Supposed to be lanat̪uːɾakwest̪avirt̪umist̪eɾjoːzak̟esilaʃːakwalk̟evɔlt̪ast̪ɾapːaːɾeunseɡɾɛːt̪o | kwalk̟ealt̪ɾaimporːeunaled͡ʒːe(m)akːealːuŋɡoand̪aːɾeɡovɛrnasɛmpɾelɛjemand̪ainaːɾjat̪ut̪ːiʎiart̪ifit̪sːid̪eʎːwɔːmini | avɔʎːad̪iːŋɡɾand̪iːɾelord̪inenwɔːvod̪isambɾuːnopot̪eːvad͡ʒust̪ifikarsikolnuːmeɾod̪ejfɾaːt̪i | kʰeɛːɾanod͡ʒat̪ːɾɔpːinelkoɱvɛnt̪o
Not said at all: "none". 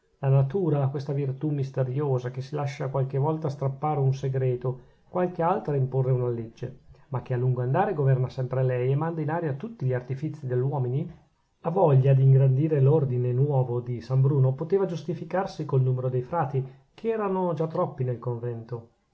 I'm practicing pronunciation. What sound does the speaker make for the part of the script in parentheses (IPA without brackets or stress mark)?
m